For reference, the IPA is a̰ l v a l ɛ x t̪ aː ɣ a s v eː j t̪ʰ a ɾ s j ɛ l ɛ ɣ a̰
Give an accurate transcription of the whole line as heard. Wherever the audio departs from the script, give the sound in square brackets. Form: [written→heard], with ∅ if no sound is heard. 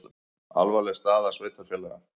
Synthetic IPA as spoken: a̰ l v a l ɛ [x→s] t̪ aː [ɣ→ð] a s v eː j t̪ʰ a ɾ [s→f] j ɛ l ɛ ɣ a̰